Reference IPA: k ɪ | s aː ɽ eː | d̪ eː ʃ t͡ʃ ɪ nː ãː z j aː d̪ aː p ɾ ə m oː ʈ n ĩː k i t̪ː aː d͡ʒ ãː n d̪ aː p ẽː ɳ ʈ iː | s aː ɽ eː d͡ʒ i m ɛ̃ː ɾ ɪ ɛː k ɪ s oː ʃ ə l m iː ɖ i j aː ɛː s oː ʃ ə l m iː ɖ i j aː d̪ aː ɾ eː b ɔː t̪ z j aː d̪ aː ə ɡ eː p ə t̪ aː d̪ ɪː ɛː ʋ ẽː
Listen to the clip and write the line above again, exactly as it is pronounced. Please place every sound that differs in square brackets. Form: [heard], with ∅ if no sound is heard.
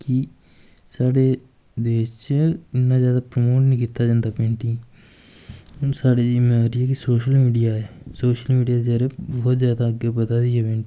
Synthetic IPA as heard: k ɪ | s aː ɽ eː | d̪ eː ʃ t͡ʃ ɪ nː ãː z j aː d̪ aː p ɾ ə m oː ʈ n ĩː k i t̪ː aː d͡ʒ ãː n d̪ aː p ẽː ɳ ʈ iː | s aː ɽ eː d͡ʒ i m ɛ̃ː ɾ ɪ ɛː k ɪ s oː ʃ ə l m iː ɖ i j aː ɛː s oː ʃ ə l m iː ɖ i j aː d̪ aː ɾ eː b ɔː t̪ z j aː d̪ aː ə ɡ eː p ə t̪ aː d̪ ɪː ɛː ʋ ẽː